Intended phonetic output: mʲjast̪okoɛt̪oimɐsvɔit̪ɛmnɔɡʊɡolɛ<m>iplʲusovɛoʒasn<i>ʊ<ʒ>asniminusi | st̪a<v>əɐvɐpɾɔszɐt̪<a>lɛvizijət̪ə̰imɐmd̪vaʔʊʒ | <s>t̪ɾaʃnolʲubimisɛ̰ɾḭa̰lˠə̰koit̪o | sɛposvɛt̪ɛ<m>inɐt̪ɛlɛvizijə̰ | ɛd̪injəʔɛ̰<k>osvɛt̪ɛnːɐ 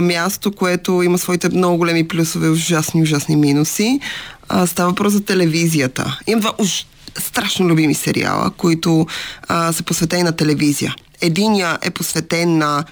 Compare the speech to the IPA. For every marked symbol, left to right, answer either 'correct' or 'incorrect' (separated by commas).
correct, correct, correct, correct, incorrect, correct, incorrect, incorrect